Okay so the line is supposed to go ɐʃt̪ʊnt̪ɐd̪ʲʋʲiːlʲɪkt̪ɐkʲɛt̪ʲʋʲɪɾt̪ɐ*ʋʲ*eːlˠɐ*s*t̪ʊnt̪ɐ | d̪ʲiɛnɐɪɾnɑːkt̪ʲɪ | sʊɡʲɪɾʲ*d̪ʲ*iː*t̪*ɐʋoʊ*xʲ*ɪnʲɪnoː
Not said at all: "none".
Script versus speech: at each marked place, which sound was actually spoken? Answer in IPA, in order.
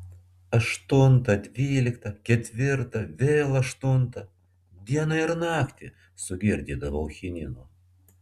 ʋʲ, ʃ, d̪ʲ, d̪, xʲ

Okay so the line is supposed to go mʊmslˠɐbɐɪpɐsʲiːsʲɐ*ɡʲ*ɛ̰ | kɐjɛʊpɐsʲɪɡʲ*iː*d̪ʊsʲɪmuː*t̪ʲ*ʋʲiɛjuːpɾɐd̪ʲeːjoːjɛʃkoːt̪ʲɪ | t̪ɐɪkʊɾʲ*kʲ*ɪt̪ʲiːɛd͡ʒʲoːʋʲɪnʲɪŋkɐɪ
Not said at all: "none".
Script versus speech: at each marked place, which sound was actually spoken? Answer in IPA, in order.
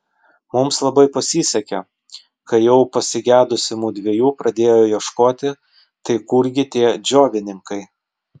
kʲ, æː, d̪ʲ, ɡʲ

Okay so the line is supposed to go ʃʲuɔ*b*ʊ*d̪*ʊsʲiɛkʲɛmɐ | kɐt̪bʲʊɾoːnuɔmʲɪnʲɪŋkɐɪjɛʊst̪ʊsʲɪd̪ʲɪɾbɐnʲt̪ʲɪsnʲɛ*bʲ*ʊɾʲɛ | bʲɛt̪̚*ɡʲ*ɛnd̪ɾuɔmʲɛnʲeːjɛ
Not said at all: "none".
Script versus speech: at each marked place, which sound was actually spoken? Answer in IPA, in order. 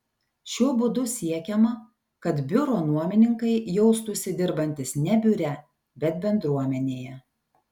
b, d̪, bʲ, bʲ

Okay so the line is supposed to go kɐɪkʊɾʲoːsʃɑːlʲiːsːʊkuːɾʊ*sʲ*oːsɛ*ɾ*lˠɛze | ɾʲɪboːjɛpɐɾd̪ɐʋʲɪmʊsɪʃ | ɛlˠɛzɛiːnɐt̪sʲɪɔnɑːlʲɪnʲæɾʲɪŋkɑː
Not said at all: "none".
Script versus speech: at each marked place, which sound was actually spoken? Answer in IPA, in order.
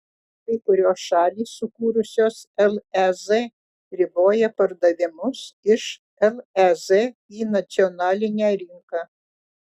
sʲ, none

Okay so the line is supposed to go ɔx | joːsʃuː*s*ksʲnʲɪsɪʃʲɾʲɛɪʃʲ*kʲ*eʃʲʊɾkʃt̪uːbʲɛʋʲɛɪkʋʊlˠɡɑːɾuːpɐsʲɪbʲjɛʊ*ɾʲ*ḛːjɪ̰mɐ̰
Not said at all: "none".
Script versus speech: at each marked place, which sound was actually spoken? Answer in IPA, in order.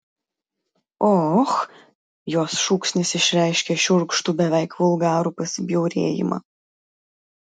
none, kʲ, ɾʲ

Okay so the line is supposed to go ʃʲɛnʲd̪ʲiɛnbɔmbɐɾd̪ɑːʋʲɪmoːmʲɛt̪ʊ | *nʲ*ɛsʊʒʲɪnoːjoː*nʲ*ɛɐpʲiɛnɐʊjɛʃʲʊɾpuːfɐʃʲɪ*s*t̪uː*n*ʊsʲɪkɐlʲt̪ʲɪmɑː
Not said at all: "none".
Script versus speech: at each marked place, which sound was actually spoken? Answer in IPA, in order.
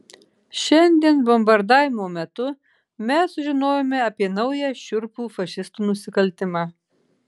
mʲ, mʲ, s, n

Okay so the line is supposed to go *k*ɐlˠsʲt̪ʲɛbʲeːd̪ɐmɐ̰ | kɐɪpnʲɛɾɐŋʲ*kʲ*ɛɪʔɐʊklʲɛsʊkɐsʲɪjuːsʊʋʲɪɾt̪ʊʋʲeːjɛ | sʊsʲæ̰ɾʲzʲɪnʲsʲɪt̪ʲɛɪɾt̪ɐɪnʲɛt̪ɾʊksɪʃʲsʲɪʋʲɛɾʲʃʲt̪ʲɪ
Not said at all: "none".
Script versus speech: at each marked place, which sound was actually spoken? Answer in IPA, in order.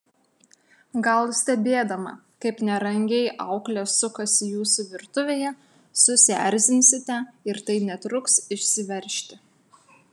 ɡ, ɡʲ

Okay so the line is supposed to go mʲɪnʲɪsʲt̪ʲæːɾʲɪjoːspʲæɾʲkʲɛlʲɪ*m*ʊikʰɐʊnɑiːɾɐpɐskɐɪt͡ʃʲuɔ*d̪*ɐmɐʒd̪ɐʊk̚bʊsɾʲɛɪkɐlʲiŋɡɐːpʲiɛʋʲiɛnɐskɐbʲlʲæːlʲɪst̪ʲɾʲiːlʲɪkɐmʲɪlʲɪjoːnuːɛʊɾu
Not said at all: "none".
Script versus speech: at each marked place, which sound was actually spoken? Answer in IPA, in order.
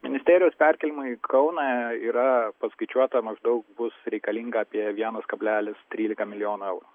m, t̪

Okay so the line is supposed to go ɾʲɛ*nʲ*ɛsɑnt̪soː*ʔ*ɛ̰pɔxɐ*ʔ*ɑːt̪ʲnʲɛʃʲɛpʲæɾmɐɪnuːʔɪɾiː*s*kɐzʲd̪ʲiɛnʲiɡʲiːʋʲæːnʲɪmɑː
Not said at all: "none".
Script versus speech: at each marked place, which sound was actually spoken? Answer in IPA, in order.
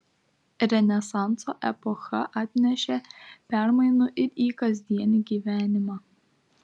nʲ, ʔ, ʔ, none

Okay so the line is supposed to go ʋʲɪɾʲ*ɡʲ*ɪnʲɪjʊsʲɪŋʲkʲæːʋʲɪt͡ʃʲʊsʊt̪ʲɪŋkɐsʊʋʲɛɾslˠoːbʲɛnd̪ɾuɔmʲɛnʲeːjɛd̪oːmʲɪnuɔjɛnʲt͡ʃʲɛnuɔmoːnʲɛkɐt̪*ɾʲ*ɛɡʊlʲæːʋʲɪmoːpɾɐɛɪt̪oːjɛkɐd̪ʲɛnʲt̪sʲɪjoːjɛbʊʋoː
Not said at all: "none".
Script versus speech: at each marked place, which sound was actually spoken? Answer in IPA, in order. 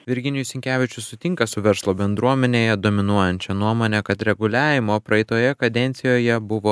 ɡʲ, ɾʲ

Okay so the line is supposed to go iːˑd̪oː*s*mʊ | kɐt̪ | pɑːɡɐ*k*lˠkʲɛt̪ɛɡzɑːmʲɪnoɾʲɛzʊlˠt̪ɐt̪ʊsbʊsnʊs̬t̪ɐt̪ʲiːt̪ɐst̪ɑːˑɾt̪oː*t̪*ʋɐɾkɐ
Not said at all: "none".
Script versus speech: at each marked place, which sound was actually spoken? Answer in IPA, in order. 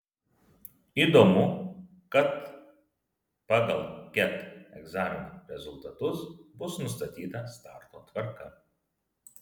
none, none, t̪

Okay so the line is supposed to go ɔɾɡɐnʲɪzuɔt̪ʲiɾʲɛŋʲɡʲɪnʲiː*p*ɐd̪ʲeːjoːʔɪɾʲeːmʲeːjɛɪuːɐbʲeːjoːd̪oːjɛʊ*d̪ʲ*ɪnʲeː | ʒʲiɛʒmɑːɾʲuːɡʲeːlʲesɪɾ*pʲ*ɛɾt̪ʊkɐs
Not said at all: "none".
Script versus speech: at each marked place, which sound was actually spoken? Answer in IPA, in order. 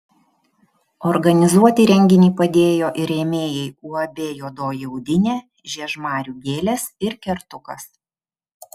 p, d̪ʲ, kʲ

